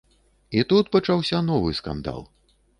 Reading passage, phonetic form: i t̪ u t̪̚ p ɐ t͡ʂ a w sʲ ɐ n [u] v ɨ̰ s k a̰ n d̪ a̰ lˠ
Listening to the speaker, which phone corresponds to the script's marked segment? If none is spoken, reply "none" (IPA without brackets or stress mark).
ɔ